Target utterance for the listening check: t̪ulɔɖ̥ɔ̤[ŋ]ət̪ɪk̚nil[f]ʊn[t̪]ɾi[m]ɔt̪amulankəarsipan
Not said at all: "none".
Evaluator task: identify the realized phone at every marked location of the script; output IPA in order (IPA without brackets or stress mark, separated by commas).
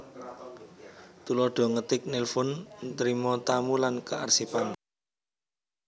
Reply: ŋ, f, t̪, m